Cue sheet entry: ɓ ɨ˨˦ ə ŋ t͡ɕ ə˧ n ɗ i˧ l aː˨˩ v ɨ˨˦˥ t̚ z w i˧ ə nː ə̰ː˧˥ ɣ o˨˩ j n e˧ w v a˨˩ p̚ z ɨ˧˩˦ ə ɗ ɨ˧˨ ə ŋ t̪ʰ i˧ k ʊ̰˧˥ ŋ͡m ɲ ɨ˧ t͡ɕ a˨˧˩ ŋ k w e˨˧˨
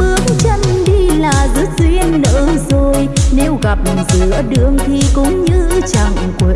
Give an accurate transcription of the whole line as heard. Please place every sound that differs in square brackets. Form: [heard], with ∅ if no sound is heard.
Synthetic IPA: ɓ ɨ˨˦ ə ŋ t͡ɕ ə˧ n ɗ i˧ l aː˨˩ [z] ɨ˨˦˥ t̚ z w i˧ ə nː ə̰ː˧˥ [z] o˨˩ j n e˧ w [ɣ] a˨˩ p̚ z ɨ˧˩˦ ə ɗ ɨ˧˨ ə ŋ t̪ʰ [i˨˩] k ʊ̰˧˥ ŋ͡m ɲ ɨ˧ t͡ɕ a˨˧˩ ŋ k w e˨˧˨